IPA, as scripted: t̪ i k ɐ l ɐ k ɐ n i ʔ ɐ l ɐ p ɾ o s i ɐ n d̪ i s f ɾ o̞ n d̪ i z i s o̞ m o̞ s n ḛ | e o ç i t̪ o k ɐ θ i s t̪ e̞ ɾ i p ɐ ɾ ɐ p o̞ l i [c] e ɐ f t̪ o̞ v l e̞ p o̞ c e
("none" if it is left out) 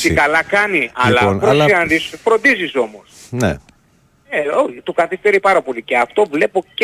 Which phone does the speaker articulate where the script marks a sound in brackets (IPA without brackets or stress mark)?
c